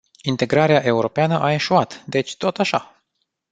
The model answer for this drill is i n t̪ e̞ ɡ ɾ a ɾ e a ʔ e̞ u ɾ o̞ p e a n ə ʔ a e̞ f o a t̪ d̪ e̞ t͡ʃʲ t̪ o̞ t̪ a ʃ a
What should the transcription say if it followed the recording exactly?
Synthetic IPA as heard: i n t̪ e̞ ɡ ɾ a ɾ e a ʔ e̞ u ɾ o̞ p e a n ə ʔ a e̞ ʃ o a t̪ d̪ e̞ t͡ʃʲ t̪ o̞ t̪ a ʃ a